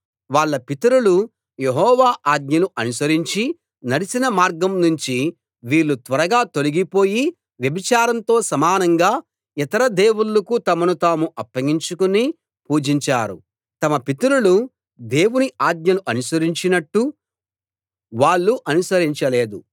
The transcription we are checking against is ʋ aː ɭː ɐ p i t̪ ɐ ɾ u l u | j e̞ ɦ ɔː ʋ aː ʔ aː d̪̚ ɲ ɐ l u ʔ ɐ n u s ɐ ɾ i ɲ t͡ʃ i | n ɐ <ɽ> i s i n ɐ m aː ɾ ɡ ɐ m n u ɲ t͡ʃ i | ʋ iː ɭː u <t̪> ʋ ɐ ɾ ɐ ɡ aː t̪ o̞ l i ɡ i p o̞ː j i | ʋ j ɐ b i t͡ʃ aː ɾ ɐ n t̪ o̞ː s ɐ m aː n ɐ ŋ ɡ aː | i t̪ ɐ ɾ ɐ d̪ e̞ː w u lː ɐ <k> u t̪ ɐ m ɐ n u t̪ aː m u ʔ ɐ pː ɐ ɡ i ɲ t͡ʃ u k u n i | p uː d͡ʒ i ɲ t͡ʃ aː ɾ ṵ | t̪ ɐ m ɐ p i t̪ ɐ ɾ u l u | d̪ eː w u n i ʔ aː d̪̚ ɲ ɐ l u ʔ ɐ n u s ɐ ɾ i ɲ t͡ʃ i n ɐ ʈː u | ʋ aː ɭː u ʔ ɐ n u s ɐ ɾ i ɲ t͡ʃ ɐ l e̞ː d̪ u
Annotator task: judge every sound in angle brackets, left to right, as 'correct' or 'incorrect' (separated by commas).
correct, correct, correct